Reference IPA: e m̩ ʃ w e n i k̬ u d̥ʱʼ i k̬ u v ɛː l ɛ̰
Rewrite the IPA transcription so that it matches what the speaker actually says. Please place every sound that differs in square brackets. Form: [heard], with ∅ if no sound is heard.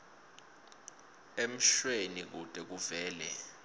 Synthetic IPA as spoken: e m̩ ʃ w e n i k̬ u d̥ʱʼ [ɛ] k̬ u v ɛː l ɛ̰